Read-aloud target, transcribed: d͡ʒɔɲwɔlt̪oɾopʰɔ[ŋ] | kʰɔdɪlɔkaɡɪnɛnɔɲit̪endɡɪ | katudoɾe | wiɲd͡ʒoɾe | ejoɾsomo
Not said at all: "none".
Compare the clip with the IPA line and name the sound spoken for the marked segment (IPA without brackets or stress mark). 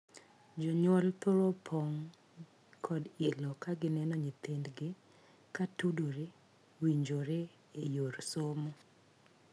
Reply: ŋ